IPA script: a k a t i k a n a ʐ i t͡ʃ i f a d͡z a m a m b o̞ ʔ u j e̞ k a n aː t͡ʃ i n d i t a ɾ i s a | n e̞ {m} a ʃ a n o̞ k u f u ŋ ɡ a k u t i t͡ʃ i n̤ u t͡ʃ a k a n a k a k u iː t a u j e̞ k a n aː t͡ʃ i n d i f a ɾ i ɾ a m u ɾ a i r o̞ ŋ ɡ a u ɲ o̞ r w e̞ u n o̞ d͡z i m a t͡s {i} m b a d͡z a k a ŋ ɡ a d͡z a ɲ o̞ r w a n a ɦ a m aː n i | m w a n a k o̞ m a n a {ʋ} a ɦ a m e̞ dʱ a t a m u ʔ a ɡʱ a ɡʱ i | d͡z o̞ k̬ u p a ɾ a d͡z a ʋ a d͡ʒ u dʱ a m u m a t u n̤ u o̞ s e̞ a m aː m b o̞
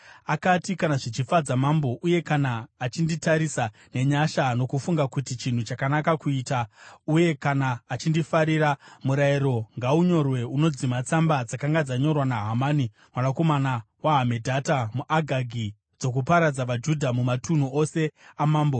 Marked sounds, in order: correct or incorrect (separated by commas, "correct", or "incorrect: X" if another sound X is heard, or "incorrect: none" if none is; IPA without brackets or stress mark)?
incorrect: ɲ, incorrect: a, incorrect: w